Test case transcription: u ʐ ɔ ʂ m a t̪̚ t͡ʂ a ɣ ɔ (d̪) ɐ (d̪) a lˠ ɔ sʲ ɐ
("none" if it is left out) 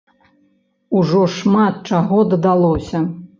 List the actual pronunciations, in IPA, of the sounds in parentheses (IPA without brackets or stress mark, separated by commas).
d̪, d̪